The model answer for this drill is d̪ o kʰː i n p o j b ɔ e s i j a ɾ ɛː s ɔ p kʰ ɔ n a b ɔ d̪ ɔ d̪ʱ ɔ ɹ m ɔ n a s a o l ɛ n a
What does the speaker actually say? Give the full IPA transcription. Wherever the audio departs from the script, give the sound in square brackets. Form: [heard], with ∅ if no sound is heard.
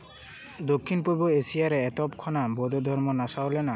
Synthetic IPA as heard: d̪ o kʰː i n p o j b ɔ e s i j a ɾ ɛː [t] ɔ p kʰ ɔ n a b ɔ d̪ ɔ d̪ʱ ɔ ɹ m ɔ n a s a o l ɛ n a